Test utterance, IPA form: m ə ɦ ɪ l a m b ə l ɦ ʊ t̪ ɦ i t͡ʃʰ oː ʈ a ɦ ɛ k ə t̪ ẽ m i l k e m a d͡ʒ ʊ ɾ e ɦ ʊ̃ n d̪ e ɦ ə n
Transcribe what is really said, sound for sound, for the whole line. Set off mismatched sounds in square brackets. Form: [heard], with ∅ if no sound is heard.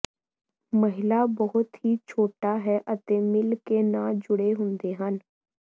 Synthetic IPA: m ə ɦ ɪ l a [∅] b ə [∅] ɦ ʊ t̪ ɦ i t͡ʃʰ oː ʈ a ɦ ɛ [ʔ] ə t̪ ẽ m [ɪ] l k e [n] a d͡ʒ ʊ [ɽ] e ɦ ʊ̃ n d̪ e ɦ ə n